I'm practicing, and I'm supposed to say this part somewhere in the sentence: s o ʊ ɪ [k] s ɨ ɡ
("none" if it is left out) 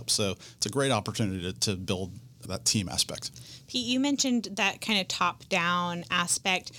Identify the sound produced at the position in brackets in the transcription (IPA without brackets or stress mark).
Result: t